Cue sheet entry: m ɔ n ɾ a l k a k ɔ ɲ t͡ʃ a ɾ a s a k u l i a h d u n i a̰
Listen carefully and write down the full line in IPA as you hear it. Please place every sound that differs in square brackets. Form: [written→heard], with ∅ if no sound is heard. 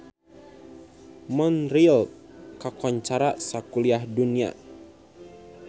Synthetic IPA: m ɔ n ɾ [a→i] l k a k ɔ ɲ t͡ʃ a ɾ a s a k u l i a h d u n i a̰